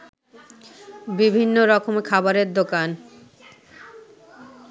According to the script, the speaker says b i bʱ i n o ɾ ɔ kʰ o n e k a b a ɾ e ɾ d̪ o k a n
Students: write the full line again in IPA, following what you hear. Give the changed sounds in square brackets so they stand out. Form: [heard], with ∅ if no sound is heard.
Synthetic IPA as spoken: b i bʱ i [nː] o ɾ ɔ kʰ o [m] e [kʰ] a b a ɾ e ɾ d̪ o k a n